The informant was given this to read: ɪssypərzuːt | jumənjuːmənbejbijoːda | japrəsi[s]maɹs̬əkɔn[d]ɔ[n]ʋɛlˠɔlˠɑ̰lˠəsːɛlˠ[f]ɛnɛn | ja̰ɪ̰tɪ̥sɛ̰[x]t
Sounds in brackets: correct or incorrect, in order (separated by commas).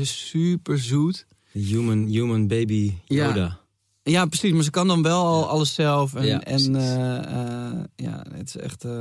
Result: correct, correct, correct, correct, correct